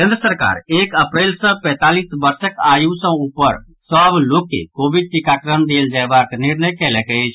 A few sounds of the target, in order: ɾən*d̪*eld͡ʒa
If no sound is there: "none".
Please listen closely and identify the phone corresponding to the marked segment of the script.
d̪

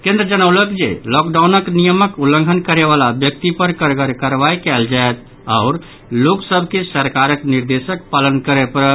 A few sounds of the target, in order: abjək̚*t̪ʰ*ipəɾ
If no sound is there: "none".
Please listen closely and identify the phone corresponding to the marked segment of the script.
t̪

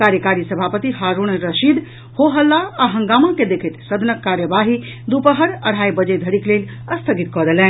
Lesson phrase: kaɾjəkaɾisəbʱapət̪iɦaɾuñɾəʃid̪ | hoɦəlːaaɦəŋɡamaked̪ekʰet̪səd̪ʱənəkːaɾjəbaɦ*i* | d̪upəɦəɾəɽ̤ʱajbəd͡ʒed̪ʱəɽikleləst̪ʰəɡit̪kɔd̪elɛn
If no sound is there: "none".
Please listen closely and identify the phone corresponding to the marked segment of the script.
i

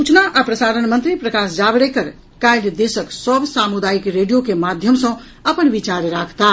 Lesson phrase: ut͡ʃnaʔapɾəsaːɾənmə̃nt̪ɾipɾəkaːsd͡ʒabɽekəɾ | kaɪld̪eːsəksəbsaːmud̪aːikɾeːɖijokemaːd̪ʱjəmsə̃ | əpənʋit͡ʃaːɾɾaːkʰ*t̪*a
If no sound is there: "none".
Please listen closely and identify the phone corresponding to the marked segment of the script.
t̪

